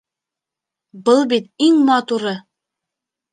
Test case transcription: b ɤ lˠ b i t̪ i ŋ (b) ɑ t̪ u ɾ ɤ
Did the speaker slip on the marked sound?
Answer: yes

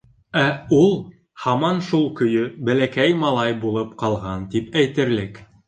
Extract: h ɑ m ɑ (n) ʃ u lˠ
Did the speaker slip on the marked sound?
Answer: no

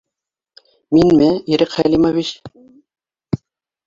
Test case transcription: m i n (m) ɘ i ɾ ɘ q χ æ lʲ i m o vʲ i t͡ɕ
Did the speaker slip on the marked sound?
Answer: no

